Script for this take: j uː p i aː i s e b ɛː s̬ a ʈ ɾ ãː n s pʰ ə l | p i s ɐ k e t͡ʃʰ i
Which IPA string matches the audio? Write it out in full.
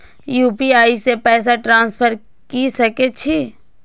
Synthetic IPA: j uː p i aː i s e p ɛː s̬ a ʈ ɾ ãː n s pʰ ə ɾ | k i s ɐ k e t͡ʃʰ i